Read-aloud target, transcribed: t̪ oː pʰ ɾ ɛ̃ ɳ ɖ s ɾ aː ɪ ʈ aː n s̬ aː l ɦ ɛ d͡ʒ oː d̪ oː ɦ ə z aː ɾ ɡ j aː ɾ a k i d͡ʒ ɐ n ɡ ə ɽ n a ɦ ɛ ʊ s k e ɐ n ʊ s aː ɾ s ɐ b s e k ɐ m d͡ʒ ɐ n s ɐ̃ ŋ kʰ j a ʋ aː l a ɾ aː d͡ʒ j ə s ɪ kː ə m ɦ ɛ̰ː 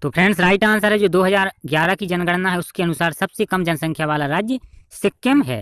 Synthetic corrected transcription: t̪ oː pʰ ɾ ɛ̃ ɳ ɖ s ɾ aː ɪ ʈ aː n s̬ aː ɾ ɦ ɛ d͡ʒ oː d̪ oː ɦ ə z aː ɾ ɡ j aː ɾ a k i d͡ʒ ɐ n ɡ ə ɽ n a ɦ ɛ ʊ s k e ɐ n ʊ s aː ɾ s ɐ b s e k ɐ m d͡ʒ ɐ n s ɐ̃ ŋ kʰ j a ʋ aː l a ɾ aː d͡ʒ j ə s ɪ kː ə m ɦ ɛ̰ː